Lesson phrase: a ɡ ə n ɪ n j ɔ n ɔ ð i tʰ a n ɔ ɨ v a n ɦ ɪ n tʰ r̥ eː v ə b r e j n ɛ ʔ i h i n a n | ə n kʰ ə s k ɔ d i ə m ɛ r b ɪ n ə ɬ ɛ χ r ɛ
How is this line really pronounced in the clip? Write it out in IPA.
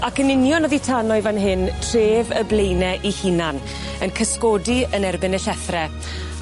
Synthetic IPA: a k ə n ɪ n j ɔ n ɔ ð i tʰ a n ɔ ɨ v a n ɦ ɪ n tʰ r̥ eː v ə b l e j n ɛ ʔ i h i n a n | ə n kʰ ə s k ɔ d i ə n ɛ r b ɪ n ə ɬ ɛ θ r ɛ